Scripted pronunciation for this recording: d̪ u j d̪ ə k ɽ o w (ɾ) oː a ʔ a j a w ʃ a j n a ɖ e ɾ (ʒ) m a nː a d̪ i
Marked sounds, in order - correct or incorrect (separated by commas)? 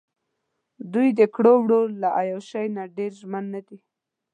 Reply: incorrect, correct